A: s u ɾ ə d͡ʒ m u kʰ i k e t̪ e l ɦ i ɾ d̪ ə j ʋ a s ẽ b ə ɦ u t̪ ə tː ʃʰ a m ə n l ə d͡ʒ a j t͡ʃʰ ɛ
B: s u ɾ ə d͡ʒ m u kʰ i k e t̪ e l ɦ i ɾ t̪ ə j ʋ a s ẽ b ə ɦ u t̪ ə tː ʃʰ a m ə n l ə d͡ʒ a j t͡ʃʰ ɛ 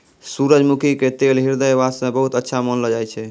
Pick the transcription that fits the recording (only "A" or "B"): A